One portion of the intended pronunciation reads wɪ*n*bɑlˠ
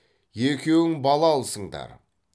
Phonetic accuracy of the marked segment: incorrect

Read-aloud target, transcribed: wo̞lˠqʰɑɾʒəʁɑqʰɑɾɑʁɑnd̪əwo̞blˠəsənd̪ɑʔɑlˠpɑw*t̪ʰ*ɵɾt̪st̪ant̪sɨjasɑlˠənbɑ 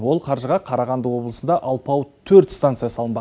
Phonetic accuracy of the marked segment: correct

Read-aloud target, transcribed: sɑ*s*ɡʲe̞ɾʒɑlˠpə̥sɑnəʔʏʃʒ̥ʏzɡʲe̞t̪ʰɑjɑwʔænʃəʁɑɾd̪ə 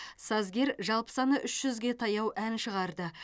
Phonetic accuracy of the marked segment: incorrect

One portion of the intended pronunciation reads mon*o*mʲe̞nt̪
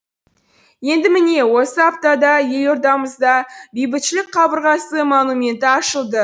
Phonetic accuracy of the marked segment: incorrect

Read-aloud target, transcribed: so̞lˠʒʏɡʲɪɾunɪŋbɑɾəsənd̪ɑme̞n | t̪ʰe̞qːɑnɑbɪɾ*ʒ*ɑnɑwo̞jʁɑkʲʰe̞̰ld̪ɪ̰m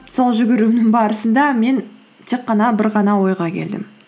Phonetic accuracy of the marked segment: incorrect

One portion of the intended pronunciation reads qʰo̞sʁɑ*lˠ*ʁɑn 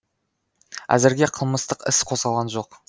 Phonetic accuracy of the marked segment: correct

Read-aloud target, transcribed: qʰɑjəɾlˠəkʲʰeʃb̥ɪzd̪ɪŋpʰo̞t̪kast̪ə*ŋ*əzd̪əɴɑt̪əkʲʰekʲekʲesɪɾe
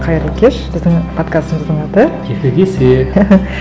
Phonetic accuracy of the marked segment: incorrect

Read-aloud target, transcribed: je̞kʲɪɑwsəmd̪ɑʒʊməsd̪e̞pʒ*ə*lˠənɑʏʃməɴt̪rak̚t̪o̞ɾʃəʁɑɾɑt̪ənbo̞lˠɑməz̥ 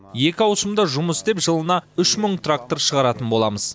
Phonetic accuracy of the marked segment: correct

